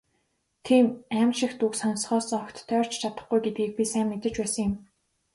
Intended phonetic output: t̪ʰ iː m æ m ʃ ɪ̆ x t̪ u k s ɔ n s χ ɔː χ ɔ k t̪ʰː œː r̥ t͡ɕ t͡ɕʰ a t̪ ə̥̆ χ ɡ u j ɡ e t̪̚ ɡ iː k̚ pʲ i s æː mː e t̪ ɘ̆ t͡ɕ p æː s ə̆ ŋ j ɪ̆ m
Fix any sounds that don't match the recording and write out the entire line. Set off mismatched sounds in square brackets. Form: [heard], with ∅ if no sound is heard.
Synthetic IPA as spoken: t̪ʰ iː m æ m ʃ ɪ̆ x t̪ u k s ɔ n s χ ɔː [s] ɔ k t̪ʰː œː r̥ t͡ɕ t͡ɕʰ a t̪ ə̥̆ χ ɡ u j ɡ e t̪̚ ɡ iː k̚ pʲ i s æː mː e t̪ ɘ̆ t͡ɕ p æː s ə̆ ŋ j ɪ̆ m